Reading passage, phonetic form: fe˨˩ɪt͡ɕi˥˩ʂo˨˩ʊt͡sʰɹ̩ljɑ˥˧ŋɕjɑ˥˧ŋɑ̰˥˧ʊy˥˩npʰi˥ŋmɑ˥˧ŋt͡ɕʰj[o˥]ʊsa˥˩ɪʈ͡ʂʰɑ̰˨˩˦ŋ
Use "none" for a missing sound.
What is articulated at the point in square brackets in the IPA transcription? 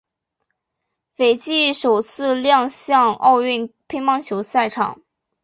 o˧˥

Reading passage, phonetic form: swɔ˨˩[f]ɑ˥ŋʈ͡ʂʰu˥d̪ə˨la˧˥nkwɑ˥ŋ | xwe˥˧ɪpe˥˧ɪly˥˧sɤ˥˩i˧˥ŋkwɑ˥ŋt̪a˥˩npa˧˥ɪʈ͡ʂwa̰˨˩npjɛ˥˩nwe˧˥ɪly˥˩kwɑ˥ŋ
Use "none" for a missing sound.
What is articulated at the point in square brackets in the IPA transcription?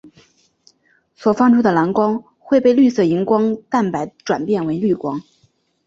f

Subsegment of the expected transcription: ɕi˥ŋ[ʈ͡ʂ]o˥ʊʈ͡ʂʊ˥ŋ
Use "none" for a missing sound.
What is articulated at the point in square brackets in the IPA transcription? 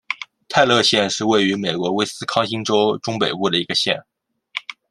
ʈ͡ʂ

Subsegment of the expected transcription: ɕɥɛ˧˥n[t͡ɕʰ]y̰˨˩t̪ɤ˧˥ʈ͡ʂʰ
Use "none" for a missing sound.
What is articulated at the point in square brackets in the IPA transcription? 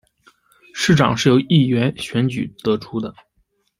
t͡ɕ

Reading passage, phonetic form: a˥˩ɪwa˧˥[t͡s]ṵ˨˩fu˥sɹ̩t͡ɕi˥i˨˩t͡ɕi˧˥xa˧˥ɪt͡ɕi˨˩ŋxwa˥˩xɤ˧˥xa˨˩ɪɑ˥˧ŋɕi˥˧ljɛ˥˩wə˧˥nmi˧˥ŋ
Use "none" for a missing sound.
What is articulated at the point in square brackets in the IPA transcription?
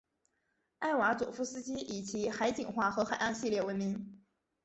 t͡s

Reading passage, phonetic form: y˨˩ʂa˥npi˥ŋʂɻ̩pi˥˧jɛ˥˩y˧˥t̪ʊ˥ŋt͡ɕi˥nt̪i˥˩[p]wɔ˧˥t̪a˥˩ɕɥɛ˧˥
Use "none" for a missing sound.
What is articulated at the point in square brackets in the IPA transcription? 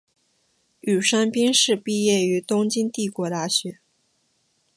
k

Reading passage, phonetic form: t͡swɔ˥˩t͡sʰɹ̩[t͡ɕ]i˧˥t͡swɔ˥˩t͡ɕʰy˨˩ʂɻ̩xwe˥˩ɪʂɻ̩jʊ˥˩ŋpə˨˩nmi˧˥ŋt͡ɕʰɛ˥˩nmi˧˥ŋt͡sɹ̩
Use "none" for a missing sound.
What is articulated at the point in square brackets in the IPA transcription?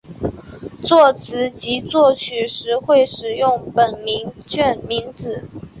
t͡ɕ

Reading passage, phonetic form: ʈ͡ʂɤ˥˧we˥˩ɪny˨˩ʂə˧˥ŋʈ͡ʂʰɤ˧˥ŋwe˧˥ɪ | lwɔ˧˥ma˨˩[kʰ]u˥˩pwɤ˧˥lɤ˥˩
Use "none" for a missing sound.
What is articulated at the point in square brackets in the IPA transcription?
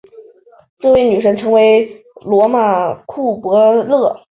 kʰ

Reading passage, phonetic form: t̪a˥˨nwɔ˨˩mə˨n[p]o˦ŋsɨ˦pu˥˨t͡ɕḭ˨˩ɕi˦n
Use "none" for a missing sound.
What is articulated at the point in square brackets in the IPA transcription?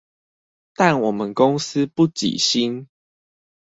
k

